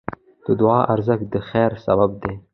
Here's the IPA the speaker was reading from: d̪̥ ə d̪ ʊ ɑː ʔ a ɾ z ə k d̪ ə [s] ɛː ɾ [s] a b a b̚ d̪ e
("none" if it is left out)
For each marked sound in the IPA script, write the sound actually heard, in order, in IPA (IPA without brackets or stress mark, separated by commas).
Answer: x, s